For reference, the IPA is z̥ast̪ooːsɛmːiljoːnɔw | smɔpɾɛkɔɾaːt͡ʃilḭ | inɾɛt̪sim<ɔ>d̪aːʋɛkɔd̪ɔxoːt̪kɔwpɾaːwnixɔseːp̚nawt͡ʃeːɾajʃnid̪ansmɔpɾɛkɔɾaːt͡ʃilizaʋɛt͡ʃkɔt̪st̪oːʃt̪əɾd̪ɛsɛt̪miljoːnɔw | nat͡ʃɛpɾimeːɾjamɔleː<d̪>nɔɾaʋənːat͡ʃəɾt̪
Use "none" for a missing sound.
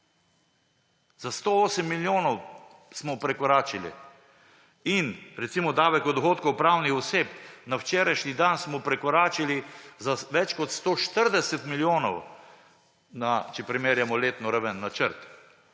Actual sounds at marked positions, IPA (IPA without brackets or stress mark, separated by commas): ɔ, t̪